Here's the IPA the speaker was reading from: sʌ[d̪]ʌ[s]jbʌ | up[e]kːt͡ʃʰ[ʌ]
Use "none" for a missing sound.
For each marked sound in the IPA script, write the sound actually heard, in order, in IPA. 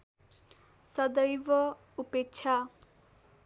d̪, none, e, a

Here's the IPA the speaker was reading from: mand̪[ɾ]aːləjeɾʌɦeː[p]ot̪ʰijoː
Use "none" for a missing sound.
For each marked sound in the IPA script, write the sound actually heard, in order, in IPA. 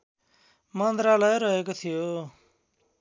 ɾ, k

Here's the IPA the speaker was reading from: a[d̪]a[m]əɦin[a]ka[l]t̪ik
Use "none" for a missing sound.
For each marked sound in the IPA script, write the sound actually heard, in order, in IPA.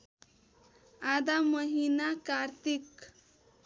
d̪, m, a, ɾ

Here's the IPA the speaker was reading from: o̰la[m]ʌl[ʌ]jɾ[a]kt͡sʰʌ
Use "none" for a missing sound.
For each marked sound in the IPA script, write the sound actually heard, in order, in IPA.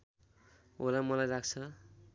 m, a, a

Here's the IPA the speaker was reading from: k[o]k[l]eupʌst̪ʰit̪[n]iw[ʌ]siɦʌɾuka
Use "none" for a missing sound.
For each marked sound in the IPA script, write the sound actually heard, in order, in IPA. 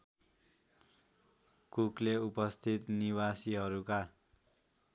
u, l, n, a

